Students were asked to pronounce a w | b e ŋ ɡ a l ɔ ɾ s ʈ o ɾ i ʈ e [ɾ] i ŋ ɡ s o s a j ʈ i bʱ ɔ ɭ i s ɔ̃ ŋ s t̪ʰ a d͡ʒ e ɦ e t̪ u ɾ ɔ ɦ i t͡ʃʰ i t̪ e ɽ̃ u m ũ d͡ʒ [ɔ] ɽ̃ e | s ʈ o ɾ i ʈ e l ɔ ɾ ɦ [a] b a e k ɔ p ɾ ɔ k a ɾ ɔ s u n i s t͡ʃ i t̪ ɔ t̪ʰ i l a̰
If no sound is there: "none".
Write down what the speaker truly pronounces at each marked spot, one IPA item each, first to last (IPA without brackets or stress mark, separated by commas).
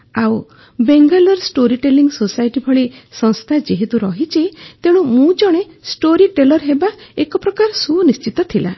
l, ɔ, e